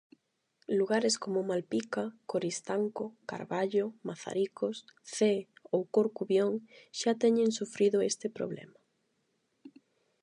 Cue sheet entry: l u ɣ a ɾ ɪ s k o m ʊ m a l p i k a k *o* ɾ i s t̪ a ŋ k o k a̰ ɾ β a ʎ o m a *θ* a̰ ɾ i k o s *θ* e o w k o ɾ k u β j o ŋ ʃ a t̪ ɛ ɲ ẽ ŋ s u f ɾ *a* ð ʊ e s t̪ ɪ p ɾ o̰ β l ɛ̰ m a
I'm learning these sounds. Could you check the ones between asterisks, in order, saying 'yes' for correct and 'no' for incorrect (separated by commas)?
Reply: yes, yes, yes, no